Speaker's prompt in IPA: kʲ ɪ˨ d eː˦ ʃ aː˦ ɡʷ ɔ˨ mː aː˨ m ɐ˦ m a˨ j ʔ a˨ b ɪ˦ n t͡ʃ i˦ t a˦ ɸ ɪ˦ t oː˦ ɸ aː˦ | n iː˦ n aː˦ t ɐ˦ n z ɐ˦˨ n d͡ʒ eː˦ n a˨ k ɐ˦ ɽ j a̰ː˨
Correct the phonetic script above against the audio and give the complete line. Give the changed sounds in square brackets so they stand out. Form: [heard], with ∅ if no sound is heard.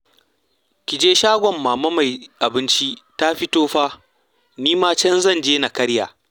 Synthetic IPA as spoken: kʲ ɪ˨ [d͡ʒ] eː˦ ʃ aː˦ ɡʷ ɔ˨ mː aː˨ m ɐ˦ m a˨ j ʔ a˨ b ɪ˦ n t͡ʃ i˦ t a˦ ɸ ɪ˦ t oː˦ ɸ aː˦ | n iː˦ [m] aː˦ [t͡ʃ] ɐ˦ n z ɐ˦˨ n d͡ʒ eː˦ n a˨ k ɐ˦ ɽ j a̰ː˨